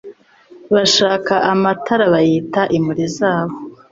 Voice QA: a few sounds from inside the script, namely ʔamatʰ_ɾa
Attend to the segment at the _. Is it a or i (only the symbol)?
a